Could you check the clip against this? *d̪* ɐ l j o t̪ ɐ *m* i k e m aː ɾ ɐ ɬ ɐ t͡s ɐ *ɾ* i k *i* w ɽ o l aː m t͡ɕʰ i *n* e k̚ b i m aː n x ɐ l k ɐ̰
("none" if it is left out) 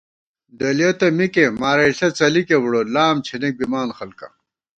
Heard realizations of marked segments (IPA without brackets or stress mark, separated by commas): d̪, m, l, e, n